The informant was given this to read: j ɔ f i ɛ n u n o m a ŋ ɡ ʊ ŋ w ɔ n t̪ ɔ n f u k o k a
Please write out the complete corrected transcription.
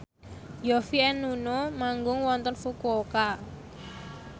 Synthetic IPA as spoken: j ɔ f i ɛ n u n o m a ŋ ɡ ʊ ŋ w ɔ n t̪ ɔ n f u k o k a